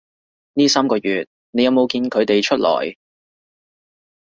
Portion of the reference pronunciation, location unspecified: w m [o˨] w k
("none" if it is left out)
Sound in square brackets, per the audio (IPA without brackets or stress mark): o˨